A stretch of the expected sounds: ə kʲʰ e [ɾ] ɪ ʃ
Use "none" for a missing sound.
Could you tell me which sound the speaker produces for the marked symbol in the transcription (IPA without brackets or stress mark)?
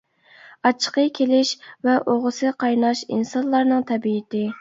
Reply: l